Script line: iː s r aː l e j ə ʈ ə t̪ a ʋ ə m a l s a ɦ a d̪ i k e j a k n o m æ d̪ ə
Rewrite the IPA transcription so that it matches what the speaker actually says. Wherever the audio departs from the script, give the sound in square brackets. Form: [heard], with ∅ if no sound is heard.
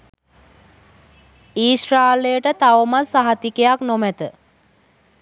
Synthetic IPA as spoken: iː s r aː l e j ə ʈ ə t̪ a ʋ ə m a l s a ɦ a [t̪] i k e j a k n o m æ [t̪] ə